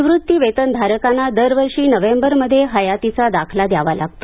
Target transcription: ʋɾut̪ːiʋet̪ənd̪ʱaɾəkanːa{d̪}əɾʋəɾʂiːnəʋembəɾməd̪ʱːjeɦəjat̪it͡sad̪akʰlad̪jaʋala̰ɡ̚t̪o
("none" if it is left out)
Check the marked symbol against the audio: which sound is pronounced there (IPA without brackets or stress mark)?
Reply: d̪